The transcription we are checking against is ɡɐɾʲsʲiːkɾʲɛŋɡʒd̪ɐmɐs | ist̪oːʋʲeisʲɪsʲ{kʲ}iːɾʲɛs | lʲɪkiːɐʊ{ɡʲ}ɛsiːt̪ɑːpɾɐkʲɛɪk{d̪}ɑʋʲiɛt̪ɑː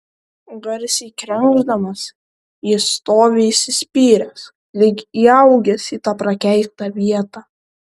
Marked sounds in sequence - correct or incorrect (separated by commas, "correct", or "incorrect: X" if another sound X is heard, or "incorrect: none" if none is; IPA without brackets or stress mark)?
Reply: incorrect: pʲ, correct, incorrect: t̪